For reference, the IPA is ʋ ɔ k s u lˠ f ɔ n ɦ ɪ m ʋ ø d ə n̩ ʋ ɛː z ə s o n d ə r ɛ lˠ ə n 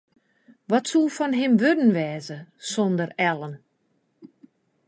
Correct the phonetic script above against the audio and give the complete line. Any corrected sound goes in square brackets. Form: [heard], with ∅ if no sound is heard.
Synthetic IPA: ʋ ɔ [t] s u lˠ f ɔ n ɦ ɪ m ʋ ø d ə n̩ ʋ ɛː z ə s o n d ə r ɛ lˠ ə n